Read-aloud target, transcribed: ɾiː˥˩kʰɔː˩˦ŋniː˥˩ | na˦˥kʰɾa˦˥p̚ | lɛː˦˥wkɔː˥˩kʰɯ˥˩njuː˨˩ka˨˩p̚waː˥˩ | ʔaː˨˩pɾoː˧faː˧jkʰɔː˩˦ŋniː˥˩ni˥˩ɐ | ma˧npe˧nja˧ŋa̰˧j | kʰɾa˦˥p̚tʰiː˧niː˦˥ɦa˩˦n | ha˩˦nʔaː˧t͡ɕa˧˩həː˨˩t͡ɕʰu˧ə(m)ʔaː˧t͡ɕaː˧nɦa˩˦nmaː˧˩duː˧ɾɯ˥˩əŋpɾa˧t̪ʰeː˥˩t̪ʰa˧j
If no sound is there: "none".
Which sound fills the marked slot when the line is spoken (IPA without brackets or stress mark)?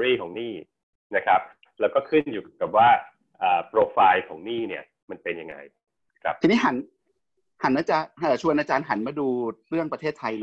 n